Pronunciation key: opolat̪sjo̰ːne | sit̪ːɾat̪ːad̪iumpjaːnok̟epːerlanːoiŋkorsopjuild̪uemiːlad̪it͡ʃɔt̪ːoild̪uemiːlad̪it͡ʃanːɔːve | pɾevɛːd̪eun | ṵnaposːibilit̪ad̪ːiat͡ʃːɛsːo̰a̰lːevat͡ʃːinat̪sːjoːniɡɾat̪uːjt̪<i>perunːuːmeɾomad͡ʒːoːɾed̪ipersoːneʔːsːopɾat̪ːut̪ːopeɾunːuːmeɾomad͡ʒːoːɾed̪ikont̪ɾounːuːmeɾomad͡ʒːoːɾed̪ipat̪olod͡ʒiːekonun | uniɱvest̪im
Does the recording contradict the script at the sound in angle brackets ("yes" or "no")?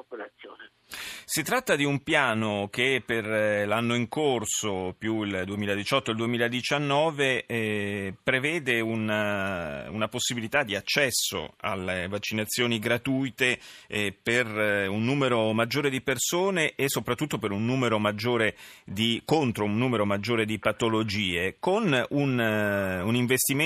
yes